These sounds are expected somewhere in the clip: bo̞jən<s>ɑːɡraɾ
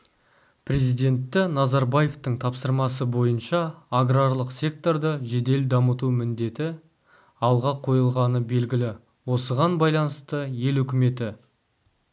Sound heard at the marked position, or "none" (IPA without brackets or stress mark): ʃ